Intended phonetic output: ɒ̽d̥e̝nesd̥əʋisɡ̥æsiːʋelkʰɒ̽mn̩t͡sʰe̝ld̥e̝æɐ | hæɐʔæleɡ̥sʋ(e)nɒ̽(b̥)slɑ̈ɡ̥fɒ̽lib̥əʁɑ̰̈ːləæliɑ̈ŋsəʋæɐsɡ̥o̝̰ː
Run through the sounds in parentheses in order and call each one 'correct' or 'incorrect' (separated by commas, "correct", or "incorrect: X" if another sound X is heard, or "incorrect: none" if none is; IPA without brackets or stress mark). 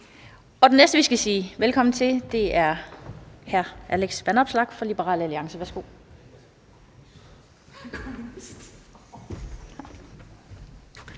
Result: incorrect: æ, correct